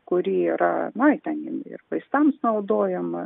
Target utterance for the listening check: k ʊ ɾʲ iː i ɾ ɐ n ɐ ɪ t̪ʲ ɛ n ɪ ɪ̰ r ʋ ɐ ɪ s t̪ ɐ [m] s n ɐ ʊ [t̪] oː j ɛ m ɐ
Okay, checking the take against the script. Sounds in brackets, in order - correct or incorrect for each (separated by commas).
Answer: correct, incorrect